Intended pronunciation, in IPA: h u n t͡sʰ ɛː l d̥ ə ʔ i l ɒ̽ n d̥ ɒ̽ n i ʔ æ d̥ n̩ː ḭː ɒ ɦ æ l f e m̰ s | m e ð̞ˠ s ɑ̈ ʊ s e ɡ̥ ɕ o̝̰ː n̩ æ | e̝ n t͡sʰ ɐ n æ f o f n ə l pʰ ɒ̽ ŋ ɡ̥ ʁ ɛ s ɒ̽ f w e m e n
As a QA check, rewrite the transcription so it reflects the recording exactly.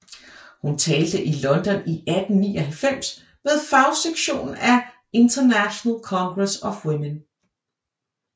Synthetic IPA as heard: h u n t͡sʰ ɛː l d̥ ə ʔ i l ɒ̽ n d̥ ɒ̽ n i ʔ æ d̥ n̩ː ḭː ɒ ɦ æ l f e m̰ s | m e ð̞ˠ f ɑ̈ ʊ s e ɡ̥ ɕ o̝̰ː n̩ æ | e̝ n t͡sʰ ɐ n æ ɕ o n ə l kʰ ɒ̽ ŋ ɡ̥ ʁ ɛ s ɒ̽ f w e m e n